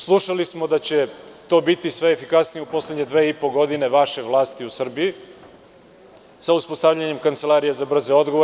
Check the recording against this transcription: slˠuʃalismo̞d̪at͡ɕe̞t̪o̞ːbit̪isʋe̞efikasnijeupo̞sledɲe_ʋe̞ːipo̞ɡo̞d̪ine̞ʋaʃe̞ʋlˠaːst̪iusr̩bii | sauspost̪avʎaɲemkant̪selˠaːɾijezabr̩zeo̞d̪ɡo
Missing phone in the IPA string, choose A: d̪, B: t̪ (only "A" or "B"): A